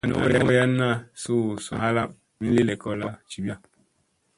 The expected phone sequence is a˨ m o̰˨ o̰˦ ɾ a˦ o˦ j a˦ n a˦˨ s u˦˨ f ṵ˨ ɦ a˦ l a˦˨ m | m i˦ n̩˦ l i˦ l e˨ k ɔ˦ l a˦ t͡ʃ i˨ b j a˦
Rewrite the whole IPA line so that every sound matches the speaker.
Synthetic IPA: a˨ n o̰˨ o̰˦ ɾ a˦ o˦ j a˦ n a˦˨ s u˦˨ s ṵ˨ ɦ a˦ l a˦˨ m | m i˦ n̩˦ l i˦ l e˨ k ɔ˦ l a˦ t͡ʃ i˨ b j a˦